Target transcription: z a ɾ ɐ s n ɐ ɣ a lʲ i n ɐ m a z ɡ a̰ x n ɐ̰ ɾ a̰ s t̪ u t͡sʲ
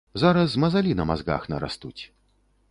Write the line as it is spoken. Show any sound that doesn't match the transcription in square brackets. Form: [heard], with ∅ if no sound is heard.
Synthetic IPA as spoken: z a ɾ ɐ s [m] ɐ [z] a lʲ i n ɐ m a z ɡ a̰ x n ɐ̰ ɾ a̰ s t̪ u t͡sʲ